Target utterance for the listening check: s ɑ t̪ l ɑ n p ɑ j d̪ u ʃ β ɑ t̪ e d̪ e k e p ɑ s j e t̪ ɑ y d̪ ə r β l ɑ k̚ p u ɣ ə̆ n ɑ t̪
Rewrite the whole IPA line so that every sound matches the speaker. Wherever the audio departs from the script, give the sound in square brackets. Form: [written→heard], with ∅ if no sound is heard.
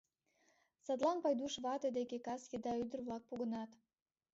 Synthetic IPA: s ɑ t̪ l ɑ n p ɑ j d̪ u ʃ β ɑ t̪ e d̪ e k e [p→k] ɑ s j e [t̪→d̪] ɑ y d̪ ə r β l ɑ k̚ p u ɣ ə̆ n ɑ t̪